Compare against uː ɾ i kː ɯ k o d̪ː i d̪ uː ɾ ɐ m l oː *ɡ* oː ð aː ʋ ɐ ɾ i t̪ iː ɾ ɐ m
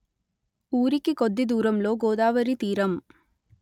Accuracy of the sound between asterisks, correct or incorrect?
correct